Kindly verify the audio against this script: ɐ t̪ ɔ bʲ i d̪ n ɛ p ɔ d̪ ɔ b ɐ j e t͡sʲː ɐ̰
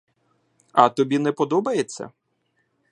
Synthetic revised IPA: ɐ t̪ ɔ bʲ i n ɛ p ɔ d̪ ɔ b ɐ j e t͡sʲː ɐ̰